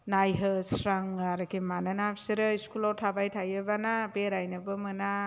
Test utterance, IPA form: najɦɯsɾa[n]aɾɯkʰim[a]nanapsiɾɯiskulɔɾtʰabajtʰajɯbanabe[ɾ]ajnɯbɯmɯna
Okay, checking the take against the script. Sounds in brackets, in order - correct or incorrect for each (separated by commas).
incorrect, correct, correct